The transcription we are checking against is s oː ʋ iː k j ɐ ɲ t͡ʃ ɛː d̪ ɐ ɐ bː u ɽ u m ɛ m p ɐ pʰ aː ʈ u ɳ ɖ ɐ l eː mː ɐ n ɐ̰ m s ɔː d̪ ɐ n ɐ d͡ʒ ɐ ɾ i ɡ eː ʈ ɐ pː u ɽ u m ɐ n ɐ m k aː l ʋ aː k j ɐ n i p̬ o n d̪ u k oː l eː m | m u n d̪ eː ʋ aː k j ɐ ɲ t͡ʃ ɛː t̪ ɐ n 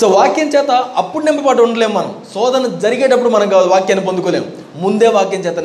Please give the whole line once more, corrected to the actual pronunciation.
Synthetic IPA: s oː ʋ aː k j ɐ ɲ t͡ʃ ɛː t̪ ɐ ɐ pː u ɽ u n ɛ m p ɐ p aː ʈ u ɳ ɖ ɐ l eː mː ɐ n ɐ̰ m s ɔː d̪ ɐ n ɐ d͡ʒ ɐ ɾ i ɡ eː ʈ ɐ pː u ɽ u m ɐ n ɐ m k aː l ʋ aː k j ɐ n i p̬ o n d̪ u k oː l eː m | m u n d̪ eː ʋ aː k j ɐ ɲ t͡ʃ ɛː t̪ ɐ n